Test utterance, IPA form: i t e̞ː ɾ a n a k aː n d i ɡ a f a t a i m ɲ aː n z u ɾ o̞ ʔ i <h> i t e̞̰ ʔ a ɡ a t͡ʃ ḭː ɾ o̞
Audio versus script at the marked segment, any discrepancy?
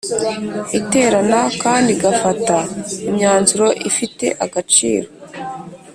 yes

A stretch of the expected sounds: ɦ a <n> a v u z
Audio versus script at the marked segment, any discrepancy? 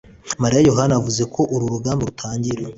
no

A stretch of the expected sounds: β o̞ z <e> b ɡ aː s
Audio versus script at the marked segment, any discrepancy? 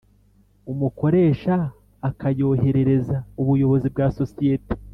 yes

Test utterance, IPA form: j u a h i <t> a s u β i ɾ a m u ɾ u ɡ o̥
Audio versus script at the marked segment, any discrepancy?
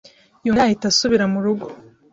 no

